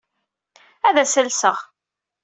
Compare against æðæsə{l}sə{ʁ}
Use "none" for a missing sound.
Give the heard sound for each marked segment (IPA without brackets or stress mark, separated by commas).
l, ʁ